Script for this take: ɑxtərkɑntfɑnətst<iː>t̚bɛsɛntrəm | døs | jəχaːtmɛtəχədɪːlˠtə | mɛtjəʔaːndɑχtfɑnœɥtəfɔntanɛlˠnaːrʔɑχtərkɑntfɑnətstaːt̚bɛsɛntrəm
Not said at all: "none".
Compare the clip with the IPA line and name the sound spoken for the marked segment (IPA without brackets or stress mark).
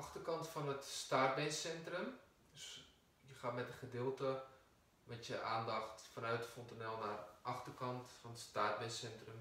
aː